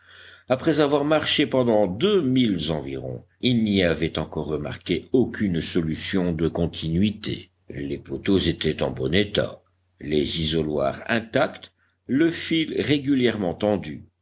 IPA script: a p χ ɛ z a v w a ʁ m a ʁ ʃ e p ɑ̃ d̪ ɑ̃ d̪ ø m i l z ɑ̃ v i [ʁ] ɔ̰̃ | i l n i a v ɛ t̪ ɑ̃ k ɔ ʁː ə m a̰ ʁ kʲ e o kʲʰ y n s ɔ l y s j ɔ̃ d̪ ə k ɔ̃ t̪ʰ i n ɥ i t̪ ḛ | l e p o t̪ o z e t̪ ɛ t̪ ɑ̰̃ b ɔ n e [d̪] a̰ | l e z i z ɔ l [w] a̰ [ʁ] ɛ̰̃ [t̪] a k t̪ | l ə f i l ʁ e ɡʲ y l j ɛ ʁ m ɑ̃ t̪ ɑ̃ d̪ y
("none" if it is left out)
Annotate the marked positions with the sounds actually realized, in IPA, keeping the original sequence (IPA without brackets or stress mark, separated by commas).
ʁ, t̪, w, ʁ, t̪